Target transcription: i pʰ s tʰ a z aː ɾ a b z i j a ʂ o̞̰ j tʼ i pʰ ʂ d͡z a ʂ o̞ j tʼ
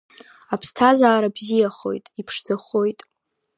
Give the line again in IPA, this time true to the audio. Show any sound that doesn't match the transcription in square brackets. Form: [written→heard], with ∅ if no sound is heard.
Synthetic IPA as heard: [i→a] pʰ s tʰ a z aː ɾ a b z i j a [ʂ→χ] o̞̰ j tʼ i pʰ ʂ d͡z a [ʂ→χ] o̞ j tʼ